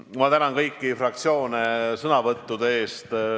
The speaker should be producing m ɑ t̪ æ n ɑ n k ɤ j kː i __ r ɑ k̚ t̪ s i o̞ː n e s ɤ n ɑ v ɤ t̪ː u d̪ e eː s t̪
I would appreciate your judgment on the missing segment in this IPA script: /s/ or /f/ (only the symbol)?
f